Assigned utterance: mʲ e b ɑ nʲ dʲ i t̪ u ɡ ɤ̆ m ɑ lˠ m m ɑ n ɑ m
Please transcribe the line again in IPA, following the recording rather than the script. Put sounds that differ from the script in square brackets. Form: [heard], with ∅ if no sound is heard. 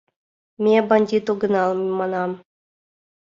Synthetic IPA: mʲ e b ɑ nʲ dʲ i t̪ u ɡ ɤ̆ [n] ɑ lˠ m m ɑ n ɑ m